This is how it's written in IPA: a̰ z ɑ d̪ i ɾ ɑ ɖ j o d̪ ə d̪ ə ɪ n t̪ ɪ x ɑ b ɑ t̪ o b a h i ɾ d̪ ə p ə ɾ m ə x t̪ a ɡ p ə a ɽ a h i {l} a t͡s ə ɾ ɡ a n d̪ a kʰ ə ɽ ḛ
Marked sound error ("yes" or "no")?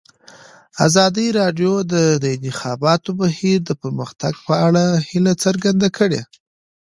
no